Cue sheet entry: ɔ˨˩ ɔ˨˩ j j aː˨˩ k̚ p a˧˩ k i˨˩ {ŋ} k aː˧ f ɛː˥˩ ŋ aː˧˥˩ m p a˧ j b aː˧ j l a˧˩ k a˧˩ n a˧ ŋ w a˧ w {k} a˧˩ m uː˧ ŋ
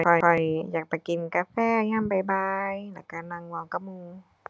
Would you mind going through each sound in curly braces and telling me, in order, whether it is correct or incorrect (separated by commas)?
incorrect, correct